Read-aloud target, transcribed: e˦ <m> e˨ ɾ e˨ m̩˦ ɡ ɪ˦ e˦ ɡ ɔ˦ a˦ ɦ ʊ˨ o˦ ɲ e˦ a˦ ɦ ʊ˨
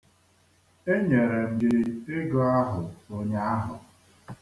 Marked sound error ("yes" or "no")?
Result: yes